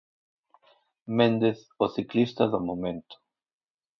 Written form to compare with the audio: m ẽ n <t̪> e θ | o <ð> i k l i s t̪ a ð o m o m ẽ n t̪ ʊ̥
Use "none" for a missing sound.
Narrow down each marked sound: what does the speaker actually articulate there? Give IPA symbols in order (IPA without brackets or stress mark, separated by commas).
d̪, θ